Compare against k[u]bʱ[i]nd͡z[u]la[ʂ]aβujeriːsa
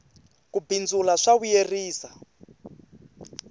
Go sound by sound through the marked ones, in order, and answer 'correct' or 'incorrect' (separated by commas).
correct, correct, correct, correct